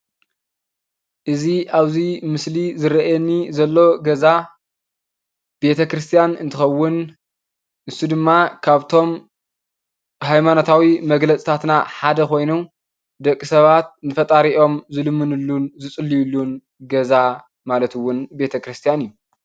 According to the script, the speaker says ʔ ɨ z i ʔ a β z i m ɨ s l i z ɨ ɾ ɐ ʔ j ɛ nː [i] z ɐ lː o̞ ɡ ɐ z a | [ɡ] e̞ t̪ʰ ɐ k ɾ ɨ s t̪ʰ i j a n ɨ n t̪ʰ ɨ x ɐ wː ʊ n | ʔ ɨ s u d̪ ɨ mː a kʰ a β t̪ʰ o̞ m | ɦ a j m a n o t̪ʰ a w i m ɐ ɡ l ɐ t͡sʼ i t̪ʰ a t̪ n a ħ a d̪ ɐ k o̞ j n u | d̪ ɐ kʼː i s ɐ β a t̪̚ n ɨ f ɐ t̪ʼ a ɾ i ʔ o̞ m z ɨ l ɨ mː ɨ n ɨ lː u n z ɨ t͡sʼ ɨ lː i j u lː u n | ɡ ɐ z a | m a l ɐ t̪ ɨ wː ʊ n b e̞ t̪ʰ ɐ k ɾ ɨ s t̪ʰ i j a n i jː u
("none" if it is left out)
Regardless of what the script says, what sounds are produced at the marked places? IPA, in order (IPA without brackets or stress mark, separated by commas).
i, b